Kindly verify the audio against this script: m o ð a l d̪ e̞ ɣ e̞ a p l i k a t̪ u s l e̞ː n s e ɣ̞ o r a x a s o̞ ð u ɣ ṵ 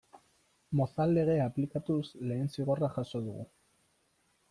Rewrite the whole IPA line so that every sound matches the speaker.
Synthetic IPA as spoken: m o θ a l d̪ e̞ ɣ e̞ a p l i k a t̪ u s l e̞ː n s i ɣ̞ o r a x a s o̞ ð u ɣ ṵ